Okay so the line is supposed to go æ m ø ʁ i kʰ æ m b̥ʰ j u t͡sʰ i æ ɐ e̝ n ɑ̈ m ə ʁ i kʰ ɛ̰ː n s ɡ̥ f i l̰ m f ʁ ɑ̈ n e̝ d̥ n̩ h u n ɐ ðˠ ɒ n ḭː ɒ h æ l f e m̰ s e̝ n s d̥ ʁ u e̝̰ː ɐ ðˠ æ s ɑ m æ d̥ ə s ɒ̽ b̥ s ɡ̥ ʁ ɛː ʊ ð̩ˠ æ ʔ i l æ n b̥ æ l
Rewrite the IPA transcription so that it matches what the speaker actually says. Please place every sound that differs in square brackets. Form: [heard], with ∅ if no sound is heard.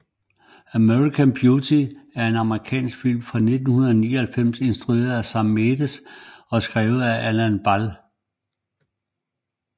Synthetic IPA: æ m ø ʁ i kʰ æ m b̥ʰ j u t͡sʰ i æ ɐ e̝ n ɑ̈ m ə ʁ i kʰ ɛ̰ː n s ɡ̥ f i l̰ m f ʁ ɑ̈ n e̝ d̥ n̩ h u n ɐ ðˠ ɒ n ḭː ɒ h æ l f e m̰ s e̝ n s d̥ ʁ u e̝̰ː ɐ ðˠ æ s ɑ m [e] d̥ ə s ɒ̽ [∅] s ɡ̥ ʁ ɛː ʊ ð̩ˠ æ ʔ [æ] l æ n b̥ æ l